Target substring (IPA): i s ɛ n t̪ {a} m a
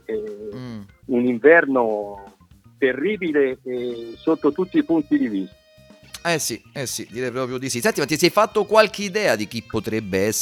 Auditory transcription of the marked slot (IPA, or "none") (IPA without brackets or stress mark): i